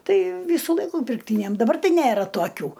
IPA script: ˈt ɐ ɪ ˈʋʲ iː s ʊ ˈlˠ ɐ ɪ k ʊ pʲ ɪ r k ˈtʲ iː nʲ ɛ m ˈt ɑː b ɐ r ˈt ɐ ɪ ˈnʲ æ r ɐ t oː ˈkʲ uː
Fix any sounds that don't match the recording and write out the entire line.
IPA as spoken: ˈt ɐ ɪ ˈʋʲ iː s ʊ ˈlˠ ɐ ɪ k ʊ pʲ ɪ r k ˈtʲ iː nʲ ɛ m ˈd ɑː b ɐ r ˈt ɐ ɪ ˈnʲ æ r ɐ t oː ˈkʲ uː